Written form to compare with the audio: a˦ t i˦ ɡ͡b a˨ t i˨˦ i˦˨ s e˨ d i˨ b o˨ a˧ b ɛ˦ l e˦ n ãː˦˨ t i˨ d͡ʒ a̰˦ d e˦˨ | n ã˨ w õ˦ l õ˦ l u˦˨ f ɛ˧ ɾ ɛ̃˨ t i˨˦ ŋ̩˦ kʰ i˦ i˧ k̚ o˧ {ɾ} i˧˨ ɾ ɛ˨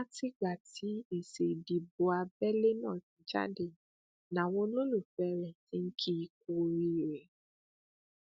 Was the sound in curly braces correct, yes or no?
yes